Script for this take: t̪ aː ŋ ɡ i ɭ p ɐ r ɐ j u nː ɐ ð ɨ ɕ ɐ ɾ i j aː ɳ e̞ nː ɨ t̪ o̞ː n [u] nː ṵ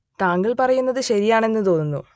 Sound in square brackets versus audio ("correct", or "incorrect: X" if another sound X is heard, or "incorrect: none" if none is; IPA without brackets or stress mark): correct